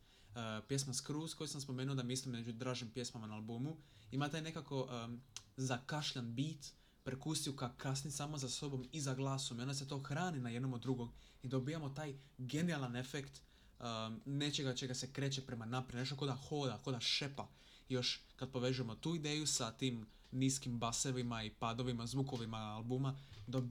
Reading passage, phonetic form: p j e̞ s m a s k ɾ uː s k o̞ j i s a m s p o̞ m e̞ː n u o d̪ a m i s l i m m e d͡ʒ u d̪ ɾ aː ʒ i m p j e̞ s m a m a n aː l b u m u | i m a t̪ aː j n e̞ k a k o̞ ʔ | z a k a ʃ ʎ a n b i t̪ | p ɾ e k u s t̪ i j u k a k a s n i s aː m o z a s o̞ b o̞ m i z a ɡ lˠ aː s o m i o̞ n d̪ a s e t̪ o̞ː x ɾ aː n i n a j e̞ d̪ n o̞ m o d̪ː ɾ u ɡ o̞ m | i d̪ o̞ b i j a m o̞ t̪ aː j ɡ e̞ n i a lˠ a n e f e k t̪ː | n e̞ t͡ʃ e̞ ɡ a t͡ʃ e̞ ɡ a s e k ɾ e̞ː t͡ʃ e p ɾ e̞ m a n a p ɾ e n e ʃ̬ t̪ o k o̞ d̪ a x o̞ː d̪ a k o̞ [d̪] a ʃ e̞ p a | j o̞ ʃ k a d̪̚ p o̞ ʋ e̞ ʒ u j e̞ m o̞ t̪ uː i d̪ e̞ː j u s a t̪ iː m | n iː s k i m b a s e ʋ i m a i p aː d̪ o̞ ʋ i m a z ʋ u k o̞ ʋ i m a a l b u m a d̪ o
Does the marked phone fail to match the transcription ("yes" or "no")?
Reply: no